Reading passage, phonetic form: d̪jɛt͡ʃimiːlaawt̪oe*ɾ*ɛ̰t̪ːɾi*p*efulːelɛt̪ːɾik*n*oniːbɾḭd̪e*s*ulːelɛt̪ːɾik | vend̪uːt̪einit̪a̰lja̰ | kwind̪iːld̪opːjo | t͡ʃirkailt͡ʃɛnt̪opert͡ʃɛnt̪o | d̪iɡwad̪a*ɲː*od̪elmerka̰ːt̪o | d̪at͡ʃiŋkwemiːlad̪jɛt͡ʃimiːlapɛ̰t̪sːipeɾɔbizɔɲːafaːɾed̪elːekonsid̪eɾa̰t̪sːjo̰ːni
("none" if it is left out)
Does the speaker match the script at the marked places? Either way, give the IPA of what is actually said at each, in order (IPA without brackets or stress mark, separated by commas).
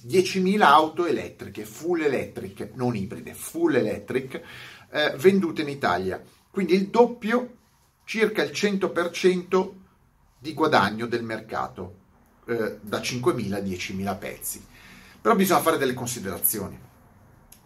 l, k, n, f, ɲː